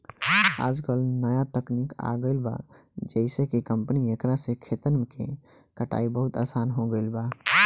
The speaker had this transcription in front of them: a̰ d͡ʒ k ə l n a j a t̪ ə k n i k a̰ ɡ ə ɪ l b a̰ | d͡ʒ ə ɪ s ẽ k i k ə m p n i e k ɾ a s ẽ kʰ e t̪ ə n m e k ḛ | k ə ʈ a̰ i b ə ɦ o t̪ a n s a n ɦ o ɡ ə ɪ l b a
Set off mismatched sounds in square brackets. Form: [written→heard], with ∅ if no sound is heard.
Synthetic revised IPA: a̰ d͡ʒ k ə l n [a→ə] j a t̪ ə k n i k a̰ ɡ ə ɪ l b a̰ | d͡ʒ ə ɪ s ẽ k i k ə m p n i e k ɾ a s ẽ kʰ e t̪ ə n m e k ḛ | k ə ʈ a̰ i b ə ɦ [o→u] t̪ a [n→∅] s a n ɦ o ɡ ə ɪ l b a